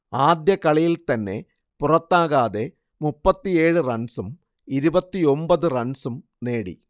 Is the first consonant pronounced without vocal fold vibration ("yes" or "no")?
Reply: no